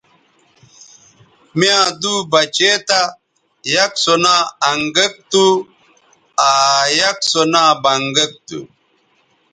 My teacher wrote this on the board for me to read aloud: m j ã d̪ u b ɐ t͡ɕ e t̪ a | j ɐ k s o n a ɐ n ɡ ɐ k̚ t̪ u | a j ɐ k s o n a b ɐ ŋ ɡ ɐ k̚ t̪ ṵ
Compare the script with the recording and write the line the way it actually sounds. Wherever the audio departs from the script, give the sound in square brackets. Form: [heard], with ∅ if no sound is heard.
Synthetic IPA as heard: m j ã d̪ u b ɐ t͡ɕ e t̪ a | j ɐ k s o n a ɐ [ŋ] ɡ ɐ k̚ t̪ u | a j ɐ k s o n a b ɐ ŋ ɡ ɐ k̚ t̪ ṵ